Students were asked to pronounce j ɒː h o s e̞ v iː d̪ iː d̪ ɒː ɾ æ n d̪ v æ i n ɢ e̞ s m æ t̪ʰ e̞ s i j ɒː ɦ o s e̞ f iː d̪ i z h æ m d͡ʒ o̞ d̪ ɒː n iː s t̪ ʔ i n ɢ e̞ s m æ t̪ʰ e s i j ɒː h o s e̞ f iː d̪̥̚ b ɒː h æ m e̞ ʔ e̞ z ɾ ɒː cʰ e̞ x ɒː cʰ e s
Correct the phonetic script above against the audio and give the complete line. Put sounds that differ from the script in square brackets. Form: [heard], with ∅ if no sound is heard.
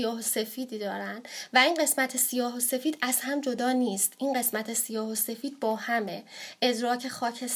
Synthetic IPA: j ɒː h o s e̞ [f] iː d̪ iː d̪ ɒː ɾ æ n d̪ v æ i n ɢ e̞ s m æ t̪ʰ e̞ s i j ɒː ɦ o s e̞ f iː d̪ [æ] z h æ m d͡ʒ o̞ d̪ ɒː n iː s t̪ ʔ i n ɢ e̞ s m æ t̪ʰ e s i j ɒː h o s e̞ f iː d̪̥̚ b ɒː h æ m e̞ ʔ e̞ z ɾ ɒː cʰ e̞ x ɒː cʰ e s